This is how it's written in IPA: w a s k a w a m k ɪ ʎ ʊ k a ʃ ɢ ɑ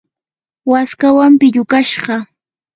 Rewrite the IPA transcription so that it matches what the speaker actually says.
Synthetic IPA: w a s k a w a m p ɪ ʎ ʊ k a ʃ ɢ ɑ